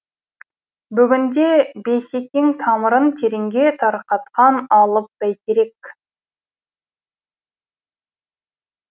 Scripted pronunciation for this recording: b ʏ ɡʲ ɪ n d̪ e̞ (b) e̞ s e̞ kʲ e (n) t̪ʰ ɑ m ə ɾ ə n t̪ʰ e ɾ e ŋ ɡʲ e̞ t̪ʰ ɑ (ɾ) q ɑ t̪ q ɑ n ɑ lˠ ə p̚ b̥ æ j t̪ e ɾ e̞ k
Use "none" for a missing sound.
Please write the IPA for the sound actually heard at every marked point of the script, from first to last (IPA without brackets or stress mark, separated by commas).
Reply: b, ŋ, ɾ